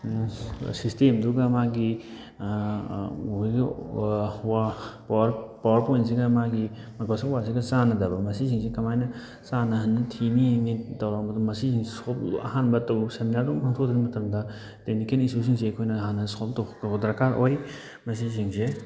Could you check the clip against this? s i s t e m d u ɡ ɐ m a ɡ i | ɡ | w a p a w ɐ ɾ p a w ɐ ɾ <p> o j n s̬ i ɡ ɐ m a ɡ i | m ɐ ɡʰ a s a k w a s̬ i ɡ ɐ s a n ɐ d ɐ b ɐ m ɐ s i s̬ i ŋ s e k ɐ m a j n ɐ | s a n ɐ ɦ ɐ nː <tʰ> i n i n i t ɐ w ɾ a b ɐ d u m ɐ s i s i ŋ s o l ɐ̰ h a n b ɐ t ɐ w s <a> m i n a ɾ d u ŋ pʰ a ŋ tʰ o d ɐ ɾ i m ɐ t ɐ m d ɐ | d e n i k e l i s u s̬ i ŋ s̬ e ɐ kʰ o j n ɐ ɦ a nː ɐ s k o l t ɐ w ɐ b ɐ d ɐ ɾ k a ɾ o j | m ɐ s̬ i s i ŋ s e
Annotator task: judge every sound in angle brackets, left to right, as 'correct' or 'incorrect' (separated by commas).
correct, correct, incorrect